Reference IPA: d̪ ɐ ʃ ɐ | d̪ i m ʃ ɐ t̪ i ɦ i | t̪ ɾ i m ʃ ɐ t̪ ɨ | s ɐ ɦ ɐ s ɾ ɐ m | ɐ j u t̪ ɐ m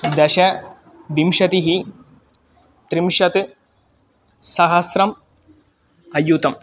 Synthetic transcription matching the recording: d̪ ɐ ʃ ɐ | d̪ i m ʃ ɐ t̪ i ɦ i | t̪ ɾ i m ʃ ɐ t̪ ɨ | s ɐ ɦ ɐ s ɾ ɐ m | ɐ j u t̪ ɐ m